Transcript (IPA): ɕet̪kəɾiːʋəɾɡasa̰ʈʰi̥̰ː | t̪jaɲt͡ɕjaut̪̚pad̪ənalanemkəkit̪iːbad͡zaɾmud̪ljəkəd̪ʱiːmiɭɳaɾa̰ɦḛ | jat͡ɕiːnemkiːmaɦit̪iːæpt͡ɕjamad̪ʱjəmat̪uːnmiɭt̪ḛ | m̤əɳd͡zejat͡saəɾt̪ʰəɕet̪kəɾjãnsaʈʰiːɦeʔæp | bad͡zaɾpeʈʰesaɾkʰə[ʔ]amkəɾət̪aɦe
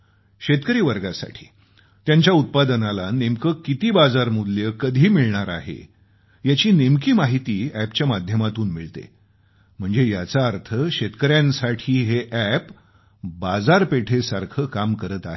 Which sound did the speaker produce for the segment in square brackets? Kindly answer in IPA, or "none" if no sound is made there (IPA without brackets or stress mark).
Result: k